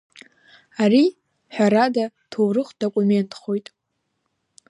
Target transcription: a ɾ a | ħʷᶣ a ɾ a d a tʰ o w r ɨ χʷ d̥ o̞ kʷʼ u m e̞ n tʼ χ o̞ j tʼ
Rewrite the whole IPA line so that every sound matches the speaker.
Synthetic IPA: a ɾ i | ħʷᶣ a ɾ a d a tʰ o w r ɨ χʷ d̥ o̞ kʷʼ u m e̞ n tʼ χ o̞ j tʼ